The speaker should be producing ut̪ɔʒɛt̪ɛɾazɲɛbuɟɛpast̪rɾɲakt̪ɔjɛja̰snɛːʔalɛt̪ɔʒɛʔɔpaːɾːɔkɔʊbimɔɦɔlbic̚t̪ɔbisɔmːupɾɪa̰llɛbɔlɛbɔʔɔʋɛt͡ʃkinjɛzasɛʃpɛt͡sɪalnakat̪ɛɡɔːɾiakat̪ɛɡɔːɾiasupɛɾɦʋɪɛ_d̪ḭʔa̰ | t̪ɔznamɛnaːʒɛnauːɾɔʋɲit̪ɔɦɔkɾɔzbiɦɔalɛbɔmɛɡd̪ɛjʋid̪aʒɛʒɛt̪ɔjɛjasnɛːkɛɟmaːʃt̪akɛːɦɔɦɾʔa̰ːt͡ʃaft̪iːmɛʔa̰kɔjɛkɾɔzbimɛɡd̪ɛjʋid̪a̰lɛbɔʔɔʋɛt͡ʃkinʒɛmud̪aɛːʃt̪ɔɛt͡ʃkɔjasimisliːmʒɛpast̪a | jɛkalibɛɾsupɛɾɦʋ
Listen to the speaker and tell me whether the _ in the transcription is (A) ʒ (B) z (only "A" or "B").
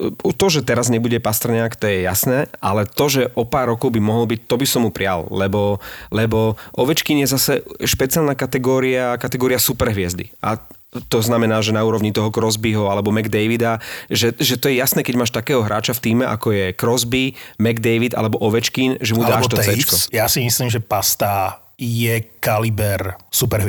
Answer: B